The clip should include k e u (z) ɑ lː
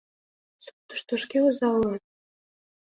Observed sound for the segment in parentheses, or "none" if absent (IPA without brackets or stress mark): z